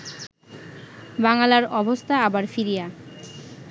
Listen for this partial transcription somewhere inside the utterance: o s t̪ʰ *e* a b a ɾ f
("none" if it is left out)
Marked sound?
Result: a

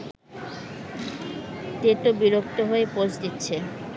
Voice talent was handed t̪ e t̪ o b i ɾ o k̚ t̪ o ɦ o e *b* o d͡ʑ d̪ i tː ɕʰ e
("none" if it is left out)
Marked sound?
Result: p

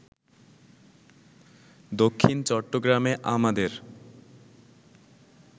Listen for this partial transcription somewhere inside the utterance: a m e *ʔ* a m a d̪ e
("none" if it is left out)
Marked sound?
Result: ʔ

